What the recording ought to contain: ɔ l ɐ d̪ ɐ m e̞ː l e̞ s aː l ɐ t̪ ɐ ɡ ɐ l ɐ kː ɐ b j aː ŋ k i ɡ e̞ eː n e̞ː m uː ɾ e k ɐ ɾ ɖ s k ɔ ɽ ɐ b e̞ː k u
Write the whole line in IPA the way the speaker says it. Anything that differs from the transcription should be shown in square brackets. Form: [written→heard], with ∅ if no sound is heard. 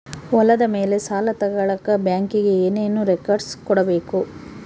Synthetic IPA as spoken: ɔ l ɐ d̪ ɐ m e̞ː l e̞ s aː l ɐ t̪ ɐ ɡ ɐ [l→ɭ] ɐ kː ɐ b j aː ŋ k i ɡ e̞ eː n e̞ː [m→n] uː ɾ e k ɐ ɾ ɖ s k ɔ ɽ ɐ b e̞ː k u

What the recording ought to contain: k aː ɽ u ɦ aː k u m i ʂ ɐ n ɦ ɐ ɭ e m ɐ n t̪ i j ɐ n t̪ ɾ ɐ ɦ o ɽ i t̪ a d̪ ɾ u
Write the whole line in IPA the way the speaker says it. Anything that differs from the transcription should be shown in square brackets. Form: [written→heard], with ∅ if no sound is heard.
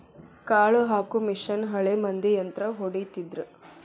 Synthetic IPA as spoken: k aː [ɽ→ɭ] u ɦ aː k u m i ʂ ɐ n ɦ ɐ ɭ e m ɐ n [t̪→d̪] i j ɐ n t̪ ɾ ɐ ɦ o ɽ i t̪ [a→i] d̪ ɾ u

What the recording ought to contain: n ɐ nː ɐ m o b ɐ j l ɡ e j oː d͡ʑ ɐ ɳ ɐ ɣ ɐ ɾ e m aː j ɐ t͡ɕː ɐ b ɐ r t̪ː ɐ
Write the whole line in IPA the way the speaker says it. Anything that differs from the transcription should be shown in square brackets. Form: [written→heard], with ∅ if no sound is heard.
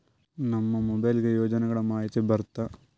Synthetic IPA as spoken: n ɐ [nː→mː] ɐ m o b ɐ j l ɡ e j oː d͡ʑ ɐ [ɳ→n] ɐ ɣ ɐ [ɾ→ɭ] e m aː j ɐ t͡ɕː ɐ b ɐ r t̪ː ɐ

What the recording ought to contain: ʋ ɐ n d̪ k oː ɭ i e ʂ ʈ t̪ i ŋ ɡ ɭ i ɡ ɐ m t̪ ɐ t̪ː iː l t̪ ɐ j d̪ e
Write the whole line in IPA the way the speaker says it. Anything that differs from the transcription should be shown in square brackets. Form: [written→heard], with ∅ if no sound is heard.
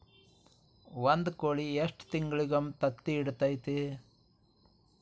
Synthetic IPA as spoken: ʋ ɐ n d̪ k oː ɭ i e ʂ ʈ t̪ i ŋ ɡ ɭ i ɡ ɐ m t̪ ɐ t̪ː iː [l→ɽ] t̪ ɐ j [d̪→t̪] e

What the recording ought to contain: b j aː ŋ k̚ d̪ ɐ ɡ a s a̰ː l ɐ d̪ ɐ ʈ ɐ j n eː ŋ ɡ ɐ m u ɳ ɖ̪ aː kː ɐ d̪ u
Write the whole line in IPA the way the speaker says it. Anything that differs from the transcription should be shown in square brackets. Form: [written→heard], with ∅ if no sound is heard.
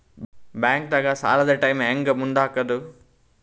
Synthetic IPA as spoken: b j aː ŋ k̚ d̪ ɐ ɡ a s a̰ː l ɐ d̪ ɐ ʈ ɐ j [n→m] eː ŋ ɡ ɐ m u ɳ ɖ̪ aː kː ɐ d̪ u

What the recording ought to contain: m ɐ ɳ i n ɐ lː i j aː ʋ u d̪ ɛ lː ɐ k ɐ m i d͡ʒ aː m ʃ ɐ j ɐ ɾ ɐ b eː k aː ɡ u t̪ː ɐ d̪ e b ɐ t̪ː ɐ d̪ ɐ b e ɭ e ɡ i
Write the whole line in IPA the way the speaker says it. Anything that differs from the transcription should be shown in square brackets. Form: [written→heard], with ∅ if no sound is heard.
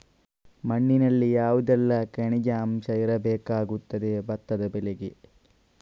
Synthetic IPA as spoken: m ɐ [ɳ→ɳː] i n ɐ lː i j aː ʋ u d̪ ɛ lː ɐ k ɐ [m→ɳ] i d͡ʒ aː m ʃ ɐ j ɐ ɾ ɐ b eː k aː ɡ u t̪ː ɐ d̪ e b ɐ t̪ː ɐ d̪ ɐ b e [ɭ→l] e ɡ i

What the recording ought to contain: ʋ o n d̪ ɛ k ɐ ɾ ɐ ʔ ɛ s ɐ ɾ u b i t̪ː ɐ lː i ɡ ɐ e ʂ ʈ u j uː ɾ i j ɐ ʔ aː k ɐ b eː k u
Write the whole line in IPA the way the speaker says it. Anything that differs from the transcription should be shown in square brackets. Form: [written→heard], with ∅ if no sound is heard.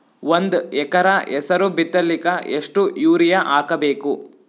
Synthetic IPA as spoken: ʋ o n d̪ ɛ k ɐ ɾ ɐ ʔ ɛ s ɐ ɾ u b i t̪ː ɐ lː i [ɡ→k] ɐ e ʂ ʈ u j uː ɾ i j ɐ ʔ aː k ɐ b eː k u

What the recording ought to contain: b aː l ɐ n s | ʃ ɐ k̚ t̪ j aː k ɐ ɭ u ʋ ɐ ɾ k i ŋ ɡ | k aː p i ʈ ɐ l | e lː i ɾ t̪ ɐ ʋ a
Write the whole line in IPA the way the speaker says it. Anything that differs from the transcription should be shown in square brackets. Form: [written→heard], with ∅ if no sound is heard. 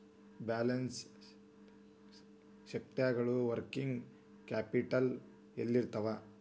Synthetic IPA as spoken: b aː l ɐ n s | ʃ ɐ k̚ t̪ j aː [k→ɡ] ɐ ɭ u ʋ ɐ ɾ k i ŋ ɡ | k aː p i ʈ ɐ l | e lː i ɾ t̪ ɐ ʋ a

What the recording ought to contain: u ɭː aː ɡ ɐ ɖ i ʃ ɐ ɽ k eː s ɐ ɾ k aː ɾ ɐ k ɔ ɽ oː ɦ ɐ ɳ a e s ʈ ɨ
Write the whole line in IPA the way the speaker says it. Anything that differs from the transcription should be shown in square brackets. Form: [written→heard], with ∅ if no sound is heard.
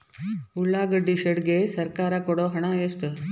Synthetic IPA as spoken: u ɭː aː ɡ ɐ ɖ i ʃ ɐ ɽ [k→ɡ] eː s ɐ ɾ k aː ɾ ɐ k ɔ ɽ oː ɦ ɐ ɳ a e s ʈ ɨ

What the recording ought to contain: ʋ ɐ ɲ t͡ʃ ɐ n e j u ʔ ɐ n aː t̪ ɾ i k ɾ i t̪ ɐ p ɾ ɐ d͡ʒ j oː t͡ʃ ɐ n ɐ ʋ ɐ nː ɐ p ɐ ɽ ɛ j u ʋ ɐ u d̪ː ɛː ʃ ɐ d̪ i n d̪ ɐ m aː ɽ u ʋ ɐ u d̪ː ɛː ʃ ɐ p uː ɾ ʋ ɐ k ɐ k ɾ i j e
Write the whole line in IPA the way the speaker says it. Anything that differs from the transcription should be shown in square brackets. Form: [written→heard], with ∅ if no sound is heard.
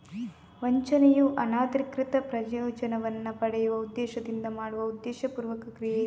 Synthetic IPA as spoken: ʋ ɐ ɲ t͡ʃ ɐ n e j u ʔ ɐ n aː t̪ ɾ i k ɾ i t̪ ɐ p ɾ ɐ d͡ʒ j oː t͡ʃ ɐ n ɐ ʋ ɐ nː ɐ p ɐ ɽ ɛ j u ʋ ɐ u d̪ː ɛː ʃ ɐ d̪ i n d̪ ɐ m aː ɽ u ʋ ɐ u d̪ː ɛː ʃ ɐ p uː ɾ ʋ ɐ k ɐ k ɾ i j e

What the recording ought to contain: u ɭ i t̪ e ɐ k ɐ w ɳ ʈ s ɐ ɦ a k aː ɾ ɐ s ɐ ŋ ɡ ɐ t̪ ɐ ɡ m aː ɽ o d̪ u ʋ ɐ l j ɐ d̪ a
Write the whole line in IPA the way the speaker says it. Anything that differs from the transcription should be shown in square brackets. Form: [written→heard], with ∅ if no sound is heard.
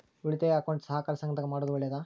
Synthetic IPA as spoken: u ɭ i t̪ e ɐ k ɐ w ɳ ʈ s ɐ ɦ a k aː ɾ ɐ s ɐ ŋ ɡ ɐ t̪ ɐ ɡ m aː ɽ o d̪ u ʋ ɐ [l→ɭ] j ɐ d̪ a

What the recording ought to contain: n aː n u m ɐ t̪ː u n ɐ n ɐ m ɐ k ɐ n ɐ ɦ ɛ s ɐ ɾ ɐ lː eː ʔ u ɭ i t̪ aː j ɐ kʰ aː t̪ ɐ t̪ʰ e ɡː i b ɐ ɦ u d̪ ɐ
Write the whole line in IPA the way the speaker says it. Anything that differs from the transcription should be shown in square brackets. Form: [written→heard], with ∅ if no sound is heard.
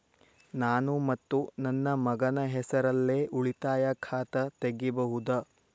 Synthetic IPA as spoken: n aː n u m ɐ t̪ː u n ɐ [n→nː] ɐ m ɐ [k→ɡ] ɐ n ɐ ɦ ɛ s ɐ ɾ ɐ lː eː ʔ u ɭ i t̪ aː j ɐ kʰ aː t̪ ɐ [t̪ʰ→t̪] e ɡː i b ɐ ɦ u d̪ ɐ

